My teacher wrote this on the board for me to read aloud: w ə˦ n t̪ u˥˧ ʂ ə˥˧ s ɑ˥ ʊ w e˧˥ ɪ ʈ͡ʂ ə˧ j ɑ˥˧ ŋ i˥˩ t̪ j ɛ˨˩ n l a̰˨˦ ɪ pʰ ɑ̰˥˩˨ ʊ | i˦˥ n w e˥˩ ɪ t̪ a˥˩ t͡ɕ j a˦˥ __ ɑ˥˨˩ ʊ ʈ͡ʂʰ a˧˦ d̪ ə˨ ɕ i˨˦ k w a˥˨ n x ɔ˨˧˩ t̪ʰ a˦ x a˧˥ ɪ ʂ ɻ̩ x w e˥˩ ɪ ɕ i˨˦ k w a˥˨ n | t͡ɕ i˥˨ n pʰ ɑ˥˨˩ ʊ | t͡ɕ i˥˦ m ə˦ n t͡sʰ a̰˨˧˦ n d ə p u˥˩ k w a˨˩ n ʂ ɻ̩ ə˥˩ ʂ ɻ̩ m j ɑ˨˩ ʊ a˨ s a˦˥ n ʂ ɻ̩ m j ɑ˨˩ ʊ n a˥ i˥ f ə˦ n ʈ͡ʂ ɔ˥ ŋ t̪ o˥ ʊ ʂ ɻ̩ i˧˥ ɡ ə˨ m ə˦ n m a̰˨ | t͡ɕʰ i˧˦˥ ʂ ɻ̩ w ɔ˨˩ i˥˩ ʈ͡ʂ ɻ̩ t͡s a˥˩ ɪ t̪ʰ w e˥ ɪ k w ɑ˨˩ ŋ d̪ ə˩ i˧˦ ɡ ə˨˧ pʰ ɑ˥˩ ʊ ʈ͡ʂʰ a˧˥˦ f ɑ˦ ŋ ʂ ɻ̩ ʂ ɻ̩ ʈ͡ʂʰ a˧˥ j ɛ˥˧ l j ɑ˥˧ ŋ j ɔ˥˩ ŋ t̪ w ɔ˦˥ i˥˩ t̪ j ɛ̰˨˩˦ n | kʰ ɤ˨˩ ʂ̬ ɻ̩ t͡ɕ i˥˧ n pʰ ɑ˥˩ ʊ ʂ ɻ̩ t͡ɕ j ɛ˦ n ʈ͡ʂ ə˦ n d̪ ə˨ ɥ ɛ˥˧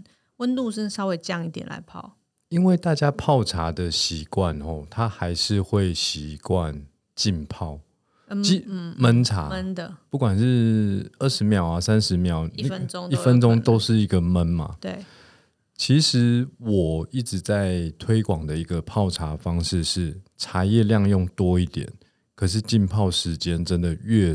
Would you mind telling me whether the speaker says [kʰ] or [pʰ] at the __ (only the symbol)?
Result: pʰ